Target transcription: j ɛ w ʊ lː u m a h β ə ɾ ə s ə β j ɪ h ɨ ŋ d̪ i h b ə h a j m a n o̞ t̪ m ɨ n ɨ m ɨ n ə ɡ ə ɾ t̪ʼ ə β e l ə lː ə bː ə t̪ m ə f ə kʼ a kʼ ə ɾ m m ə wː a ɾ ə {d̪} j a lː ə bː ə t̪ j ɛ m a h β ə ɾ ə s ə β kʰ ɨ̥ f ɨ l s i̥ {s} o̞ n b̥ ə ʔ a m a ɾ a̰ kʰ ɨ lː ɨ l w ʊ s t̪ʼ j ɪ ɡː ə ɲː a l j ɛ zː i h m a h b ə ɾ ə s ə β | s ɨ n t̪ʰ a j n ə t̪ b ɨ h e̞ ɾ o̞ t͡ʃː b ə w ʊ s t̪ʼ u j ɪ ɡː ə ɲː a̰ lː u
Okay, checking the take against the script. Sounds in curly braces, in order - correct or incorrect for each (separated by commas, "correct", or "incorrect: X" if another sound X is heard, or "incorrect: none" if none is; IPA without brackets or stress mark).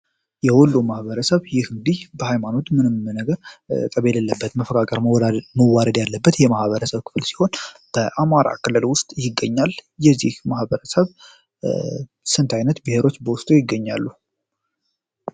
correct, incorrect: h